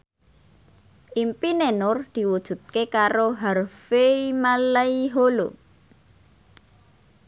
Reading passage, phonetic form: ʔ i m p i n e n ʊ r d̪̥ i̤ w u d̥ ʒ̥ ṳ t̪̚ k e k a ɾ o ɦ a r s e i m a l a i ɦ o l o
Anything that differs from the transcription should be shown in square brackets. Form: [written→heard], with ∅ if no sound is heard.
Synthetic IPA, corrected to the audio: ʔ i m p i n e n ʊ r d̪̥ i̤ w u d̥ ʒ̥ ṳ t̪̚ k e k a ɾ o ɦ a r [s→f] e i m a l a i ɦ o l o

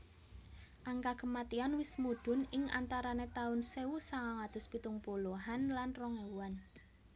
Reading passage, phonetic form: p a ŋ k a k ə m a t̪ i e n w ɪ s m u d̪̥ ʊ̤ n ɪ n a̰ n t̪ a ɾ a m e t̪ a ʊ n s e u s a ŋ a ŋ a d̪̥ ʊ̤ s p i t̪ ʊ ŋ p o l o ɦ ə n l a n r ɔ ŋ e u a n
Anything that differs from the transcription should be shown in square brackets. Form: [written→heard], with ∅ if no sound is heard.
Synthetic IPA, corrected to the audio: [p→ʔ] a ŋ k a k ə m a t̪ i [e→a] n w ɪ s m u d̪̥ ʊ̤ n ɪ [n→ŋ] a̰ n t̪ a ɾ a [m→n] e t̪ a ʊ n s e u s a ŋ a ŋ a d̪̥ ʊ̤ s p i t̪ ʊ ŋ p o l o ɦ [ə→a] n l a n r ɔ ŋ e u a n

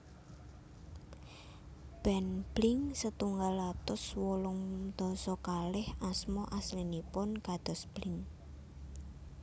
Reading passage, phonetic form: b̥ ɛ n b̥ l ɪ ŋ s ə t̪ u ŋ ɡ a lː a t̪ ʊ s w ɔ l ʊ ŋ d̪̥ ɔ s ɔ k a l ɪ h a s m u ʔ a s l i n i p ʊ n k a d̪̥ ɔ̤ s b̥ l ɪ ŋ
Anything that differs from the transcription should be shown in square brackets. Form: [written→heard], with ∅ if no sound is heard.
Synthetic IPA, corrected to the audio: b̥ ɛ n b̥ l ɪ ŋ s ə t̪ u ŋ ɡ a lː a t̪ ʊ s w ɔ l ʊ ŋ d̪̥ ɔ s ɔ k a l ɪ h a s m [u→ɔ] ʔ a s l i n i p ʊ n k a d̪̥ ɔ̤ s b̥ l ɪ ŋ

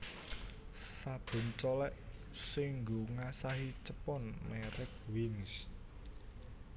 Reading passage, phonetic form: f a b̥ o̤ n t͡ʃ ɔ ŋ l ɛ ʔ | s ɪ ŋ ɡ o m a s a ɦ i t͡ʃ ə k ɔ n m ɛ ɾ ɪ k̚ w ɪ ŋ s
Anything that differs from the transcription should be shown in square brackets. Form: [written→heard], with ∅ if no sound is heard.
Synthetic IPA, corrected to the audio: [f→s] a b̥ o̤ n t͡ʃ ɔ [ŋ→∅] l ɛ ʔ | s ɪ ŋ ɡ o [m→ŋ] a s a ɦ i t͡ʃ ə [k→p] ɔ n m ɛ ɾ ɪ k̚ w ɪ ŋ s

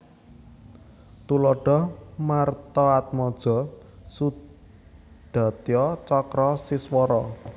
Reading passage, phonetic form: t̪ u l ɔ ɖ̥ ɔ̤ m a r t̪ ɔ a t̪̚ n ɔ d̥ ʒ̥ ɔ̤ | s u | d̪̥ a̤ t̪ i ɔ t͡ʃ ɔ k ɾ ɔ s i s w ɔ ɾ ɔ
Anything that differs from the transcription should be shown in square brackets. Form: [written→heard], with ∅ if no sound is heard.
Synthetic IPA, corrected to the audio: t̪ u l ɔ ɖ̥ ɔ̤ m a r t̪ ɔ a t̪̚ [n→m] ɔ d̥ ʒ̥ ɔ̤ | s u | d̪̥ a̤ t̪ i ɔ t͡ʃ ɔ k ɾ ɔ s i s w ɔ ɾ ɔ

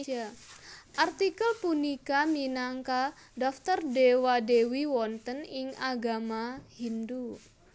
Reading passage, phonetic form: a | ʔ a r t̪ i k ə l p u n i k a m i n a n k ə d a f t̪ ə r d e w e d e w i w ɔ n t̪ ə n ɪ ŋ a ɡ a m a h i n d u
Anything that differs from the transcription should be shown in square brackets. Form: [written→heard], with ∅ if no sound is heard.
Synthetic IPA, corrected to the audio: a | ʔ a r t̪ i k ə l p u n i k a m i n a [n→ŋ] k [ə→a] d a f t̪ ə r d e w [e→a] d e w i w ɔ n t̪ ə n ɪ ŋ a ɡ a m a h i n d u

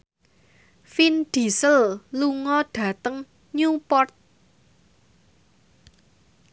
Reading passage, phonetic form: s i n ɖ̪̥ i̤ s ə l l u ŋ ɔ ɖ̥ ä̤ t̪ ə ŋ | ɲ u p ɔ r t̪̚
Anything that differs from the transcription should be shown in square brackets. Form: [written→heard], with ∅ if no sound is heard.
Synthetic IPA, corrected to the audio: [s→f] i n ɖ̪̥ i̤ s ə l l u ŋ ɔ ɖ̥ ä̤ t̪ ə ŋ | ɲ u p ɔ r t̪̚

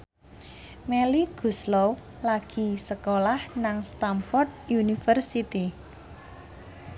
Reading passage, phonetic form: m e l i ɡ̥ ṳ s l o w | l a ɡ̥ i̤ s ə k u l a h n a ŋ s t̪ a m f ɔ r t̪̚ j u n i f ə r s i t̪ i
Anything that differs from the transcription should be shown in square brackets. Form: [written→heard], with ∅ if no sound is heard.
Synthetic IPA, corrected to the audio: m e l i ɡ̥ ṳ s l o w | l a ɡ̥ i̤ s ə k [u→o] l a h n a ŋ s t̪ a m f ɔ r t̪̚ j u n i f ə r s i t̪ i

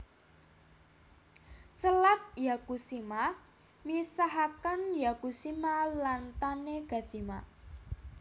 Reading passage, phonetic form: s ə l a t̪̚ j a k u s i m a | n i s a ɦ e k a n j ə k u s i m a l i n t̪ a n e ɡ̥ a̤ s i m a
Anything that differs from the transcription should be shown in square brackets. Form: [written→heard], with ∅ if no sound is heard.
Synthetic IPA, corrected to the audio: s ə l a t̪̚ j a k u s i m a | [n→m] i s a ɦ [e→a] k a n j [ə→a] k u s i m a l [i→a] n t̪ a n e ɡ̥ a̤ s i m a

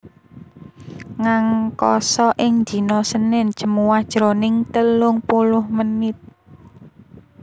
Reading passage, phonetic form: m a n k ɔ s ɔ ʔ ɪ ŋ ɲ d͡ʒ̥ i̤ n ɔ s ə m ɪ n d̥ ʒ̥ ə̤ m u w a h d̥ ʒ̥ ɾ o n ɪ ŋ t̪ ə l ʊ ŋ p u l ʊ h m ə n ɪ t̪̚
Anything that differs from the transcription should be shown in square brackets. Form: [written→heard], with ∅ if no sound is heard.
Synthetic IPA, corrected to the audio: [m→ŋ] a [n→ŋ] k ɔ s ɔ ʔ ɪ ŋ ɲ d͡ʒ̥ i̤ n ɔ s ə [m→n] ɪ n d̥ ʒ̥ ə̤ m u w a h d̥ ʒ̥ ɾ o n ɪ ŋ t̪ ə l ʊ ŋ p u l ʊ h m ə n ɪ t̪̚

